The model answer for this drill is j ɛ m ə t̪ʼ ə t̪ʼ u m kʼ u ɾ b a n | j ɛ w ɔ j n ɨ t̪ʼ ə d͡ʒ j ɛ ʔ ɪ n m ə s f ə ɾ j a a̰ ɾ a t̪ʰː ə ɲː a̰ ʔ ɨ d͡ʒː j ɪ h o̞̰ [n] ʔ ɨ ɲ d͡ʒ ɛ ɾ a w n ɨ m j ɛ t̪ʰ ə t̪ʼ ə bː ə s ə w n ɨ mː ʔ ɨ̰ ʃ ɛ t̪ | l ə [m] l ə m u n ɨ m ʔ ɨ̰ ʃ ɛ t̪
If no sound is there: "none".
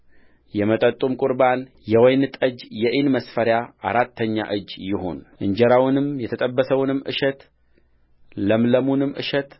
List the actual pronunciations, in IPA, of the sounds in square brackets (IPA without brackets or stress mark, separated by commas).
n, m